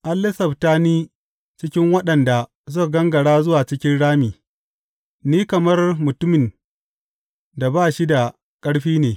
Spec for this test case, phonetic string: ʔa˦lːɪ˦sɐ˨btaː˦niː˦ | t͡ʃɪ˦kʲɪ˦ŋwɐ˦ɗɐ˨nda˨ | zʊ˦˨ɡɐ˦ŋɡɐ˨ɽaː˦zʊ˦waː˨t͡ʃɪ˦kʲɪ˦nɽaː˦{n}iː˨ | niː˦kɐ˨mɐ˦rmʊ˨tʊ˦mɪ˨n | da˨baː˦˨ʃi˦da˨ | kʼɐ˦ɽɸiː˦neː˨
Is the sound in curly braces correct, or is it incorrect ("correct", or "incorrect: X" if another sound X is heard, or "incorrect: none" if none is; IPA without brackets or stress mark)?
incorrect: m